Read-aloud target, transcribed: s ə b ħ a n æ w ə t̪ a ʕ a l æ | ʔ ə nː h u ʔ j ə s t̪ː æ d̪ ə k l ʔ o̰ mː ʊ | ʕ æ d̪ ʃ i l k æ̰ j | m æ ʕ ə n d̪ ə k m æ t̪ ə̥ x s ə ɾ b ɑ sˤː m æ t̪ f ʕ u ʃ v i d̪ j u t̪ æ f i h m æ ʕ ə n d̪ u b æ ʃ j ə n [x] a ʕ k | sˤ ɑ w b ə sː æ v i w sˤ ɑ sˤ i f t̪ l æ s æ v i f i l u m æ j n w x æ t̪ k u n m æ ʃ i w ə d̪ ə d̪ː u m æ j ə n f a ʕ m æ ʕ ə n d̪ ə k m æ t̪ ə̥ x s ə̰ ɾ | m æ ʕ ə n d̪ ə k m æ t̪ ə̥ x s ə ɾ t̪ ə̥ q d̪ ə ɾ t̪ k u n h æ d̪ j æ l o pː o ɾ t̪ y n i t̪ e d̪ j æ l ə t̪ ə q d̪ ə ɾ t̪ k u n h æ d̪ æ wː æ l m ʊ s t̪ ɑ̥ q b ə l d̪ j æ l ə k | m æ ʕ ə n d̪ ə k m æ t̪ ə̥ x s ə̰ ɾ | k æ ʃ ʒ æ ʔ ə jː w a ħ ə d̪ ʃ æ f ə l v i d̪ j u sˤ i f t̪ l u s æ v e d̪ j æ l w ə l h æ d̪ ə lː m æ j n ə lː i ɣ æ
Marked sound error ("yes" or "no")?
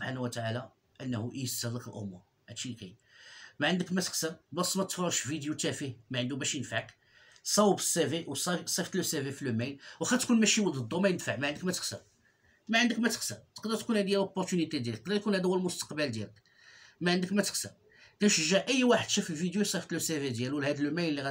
yes